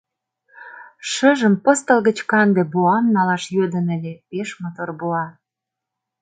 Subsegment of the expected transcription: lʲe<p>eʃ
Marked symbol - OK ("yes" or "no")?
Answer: yes